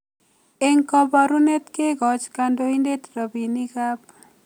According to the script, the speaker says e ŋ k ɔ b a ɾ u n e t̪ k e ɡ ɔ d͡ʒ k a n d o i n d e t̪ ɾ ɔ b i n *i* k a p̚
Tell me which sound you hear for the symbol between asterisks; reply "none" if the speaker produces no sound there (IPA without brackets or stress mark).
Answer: i